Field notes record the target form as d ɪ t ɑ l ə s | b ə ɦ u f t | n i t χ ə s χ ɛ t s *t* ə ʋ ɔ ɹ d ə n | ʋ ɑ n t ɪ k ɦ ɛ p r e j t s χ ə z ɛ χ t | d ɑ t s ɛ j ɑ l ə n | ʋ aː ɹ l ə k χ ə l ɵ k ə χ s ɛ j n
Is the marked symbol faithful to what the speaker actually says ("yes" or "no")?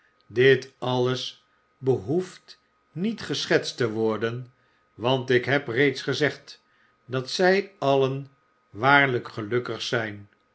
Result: yes